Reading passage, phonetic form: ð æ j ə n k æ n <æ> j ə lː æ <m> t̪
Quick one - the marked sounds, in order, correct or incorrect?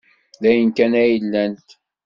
correct, incorrect: n

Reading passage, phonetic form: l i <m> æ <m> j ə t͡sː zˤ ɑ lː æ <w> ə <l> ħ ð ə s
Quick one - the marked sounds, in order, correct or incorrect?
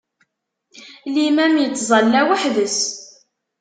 correct, correct, correct, incorrect: none

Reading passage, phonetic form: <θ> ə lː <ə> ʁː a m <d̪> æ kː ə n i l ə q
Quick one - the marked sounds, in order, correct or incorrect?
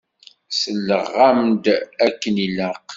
incorrect: s, correct, correct

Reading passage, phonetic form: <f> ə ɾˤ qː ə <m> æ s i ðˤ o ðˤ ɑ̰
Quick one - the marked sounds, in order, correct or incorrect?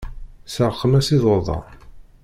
incorrect: s, correct

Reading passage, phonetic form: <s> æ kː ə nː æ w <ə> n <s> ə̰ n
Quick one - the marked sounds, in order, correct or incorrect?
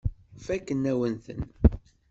incorrect: f, correct, incorrect: θ

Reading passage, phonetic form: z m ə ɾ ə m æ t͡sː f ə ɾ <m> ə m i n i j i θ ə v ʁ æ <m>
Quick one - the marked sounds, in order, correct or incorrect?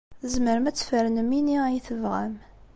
incorrect: n, correct

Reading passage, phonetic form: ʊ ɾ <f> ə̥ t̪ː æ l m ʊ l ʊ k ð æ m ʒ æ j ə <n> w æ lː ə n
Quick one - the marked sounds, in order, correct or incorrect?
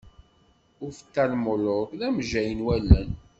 correct, correct

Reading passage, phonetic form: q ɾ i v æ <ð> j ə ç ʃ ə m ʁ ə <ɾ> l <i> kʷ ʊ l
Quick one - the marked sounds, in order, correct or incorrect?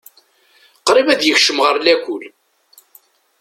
correct, correct, incorrect: æ

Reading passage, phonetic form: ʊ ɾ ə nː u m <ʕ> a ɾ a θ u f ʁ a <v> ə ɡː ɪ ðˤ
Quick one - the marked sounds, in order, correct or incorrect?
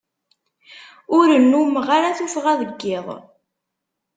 incorrect: ʁ, incorrect: ð

